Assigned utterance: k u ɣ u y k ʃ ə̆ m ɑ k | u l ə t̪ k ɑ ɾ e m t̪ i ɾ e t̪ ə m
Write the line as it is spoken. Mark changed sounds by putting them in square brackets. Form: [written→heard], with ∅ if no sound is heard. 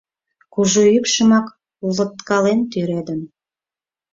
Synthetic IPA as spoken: k u [ɣ→ʒ] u y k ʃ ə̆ m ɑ k | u l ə t̪ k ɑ [ɾ→l] e [m→n] t̪ [i→y] ɾ e [t̪→d̪] ə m